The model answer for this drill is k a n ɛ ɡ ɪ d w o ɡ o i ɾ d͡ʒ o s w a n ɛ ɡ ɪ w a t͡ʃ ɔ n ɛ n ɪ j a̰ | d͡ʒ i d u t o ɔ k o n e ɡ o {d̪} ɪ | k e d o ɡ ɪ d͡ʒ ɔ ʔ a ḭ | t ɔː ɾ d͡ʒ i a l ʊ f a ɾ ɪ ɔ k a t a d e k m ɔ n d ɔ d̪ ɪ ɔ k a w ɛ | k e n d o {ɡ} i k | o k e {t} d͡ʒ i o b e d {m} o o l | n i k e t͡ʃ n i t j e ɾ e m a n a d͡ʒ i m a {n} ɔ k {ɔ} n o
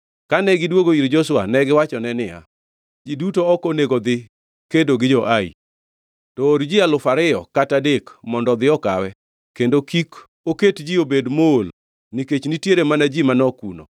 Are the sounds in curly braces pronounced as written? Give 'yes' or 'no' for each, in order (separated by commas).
yes, no, yes, yes, yes, no